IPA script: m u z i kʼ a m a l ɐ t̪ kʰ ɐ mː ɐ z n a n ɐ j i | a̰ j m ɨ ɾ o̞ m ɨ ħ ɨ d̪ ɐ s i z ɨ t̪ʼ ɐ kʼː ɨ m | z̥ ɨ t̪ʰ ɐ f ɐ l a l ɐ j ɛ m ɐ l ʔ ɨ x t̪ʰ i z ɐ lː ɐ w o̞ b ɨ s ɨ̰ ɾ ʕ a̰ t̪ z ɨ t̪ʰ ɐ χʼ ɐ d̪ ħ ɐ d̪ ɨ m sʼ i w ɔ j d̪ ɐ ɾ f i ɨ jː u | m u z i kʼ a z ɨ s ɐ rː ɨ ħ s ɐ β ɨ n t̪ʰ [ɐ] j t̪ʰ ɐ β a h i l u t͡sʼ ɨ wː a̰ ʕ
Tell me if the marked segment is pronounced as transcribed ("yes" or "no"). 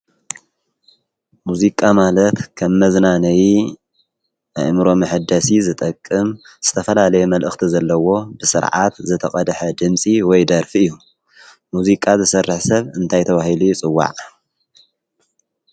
no